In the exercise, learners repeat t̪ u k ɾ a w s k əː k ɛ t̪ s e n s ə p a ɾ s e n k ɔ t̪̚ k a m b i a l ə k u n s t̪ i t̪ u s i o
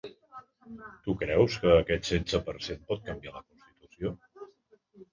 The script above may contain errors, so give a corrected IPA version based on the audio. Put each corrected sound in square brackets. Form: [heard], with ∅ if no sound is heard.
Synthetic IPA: t̪ u k ɾ [ɛ] w s k əː k ɛ t̪ s e n s ə p [ə] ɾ s e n [p] ɔ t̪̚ k [ə] m b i a l ə k u n s t̪ i t̪ u s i o